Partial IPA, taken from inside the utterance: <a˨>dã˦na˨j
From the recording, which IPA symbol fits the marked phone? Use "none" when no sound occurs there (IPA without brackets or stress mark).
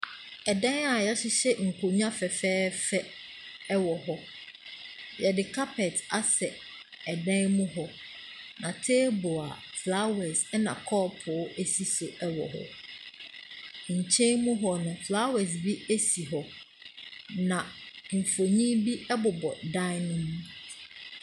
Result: ɛ˨